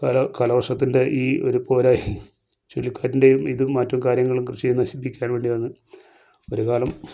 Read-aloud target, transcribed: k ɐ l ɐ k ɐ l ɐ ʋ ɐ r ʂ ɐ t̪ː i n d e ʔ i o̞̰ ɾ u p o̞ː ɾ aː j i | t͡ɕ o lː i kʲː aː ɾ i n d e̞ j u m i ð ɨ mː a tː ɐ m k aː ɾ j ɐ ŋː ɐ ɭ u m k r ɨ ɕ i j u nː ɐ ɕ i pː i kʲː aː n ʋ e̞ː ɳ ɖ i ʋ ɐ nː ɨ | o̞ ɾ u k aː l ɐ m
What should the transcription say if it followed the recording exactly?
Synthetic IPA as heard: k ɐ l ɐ k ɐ l ɐ ʋ ɐ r ʂ ɐ t̪ː i n d e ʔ iː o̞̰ ɾ u p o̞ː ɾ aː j i | t͡ɕ o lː i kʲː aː ɾ i n d e̞ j u m i ð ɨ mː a tː ɐ m k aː ɾ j ɐ ŋː ɐ ɭ u m k r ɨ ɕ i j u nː ɐ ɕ i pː i kʲː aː n ʋ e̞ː ɳ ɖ i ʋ ɐ nː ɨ | o̞ ɾ u k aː l ɐ m